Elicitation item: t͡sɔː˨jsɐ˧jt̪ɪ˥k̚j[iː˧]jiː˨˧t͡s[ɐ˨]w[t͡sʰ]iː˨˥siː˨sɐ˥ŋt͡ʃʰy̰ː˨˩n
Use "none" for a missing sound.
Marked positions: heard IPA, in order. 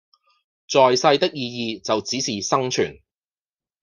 iː˧, ɐ˨, t͡s

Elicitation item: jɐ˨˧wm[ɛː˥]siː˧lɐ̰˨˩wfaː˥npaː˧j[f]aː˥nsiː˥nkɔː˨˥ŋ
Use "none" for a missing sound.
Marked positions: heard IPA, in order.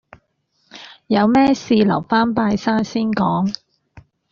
ɛː˥, s

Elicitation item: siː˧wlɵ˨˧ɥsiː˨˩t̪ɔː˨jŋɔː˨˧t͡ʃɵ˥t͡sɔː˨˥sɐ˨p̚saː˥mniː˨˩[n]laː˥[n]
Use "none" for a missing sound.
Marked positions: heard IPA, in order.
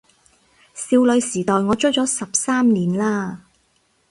n, none

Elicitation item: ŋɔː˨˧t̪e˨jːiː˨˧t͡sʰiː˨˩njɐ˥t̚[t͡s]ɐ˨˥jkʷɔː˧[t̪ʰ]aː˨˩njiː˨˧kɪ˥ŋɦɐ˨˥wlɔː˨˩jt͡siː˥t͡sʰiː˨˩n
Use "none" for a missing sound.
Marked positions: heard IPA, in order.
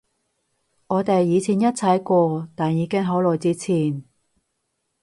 t͡sʰ, t̪

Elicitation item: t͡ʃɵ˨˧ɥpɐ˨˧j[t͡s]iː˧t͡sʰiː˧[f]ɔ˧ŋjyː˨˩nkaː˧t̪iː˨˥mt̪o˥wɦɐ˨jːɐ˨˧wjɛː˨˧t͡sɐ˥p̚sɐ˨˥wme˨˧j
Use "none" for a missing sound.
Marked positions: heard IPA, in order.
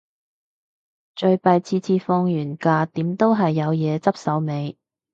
t͡sʰ, f

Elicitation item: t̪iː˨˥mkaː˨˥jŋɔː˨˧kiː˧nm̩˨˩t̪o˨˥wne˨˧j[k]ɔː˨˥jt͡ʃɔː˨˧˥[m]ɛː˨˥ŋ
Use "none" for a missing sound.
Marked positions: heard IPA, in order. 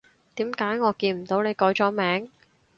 k, m

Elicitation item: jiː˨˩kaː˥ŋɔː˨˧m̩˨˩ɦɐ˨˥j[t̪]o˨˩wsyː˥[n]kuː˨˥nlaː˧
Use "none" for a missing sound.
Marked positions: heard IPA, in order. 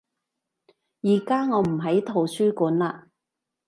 t̪ʰ, none

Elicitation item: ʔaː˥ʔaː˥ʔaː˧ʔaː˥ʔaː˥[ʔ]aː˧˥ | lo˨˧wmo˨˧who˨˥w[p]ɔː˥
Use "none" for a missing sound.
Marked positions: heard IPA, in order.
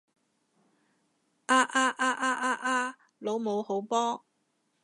ʔ, p

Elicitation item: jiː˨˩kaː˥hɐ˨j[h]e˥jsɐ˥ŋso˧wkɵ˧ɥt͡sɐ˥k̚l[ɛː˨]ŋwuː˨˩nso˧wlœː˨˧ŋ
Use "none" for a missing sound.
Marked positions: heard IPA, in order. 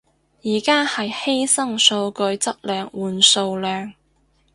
h, œː˨

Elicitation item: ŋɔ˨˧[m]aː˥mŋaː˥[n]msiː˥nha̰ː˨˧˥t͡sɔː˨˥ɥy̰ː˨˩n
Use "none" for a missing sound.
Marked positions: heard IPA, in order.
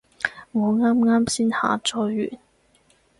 ŋ, none

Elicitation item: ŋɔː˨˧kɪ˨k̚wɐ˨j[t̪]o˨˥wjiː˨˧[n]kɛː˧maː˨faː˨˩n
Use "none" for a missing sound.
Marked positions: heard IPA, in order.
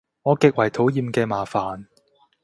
t̪ʰ, m

